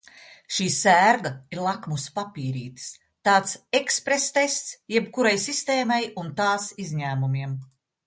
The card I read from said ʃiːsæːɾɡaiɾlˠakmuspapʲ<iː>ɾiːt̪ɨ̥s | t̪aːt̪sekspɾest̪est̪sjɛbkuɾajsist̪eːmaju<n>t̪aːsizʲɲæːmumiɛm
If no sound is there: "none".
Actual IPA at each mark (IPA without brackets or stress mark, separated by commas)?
iː, n